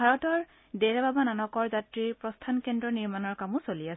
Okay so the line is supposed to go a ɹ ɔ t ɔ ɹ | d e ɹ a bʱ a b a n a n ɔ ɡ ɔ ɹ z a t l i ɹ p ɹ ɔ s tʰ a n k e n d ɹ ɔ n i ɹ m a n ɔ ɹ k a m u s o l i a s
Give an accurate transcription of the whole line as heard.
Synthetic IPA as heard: a ɹ ɔ t ɔ ɹ | d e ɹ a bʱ a b a n a n ɔ k ɔ ɹ z a t ɹ i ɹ p ɹ ɔ s tʰ a n k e n d ɹ ɔ n i ɹ m a n ɔ ɹ k a m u s o l i a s